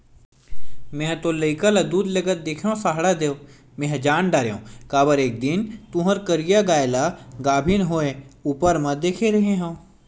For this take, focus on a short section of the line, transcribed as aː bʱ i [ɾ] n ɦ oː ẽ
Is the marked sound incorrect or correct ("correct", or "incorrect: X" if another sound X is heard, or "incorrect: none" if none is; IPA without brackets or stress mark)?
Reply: incorrect: none